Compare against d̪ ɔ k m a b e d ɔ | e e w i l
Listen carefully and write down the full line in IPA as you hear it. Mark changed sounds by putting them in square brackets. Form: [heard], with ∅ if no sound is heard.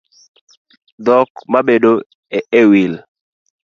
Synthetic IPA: d̪ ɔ k m a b e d [o] | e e w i l